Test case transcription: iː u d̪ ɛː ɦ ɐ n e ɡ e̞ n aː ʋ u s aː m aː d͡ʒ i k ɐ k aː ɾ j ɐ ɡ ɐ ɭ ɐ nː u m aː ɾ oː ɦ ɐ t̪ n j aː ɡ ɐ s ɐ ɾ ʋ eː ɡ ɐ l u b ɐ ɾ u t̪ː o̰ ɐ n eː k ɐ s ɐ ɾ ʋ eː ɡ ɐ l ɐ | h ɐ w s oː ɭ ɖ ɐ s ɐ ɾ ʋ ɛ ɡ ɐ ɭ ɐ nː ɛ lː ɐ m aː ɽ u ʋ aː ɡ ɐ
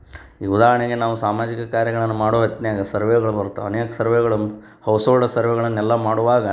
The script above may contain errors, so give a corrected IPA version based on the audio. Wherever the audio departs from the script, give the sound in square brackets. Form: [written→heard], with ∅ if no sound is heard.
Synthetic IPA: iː u d̪ [ɛː→aː] ɦ ɐ [n→ɳ] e ɡ e̞ n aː ʋ u s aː m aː d͡ʒ i k ɐ k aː ɾ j ɐ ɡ ɐ ɭ ɐ nː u m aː [ɾ→ɽ] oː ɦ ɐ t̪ n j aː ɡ ɐ s ɐ ɾ ʋ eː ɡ ɐ [l→ɭ] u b ɐ ɾ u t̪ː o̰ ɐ n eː k ɐ s ɐ ɾ ʋ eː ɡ ɐ [l→ɭ] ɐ | h ɐ w s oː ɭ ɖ ɐ s ɐ ɾ ʋ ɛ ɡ ɐ ɭ ɐ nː ɛ lː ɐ m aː ɽ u ʋ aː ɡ ɐ